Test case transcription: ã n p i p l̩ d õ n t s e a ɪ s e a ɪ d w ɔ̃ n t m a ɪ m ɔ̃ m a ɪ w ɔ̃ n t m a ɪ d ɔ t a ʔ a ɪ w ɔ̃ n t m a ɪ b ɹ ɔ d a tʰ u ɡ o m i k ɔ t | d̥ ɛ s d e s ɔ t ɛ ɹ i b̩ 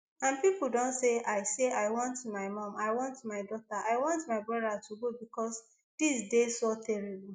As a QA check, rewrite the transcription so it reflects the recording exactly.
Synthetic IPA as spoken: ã n p i p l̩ d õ n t s e a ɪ s e a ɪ w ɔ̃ n t m a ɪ m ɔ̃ m a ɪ w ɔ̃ n t m a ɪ d ɔ t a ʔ a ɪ w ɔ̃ n t m a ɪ b ɹ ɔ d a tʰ u ɡ o b i k ɔ s | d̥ i s d e s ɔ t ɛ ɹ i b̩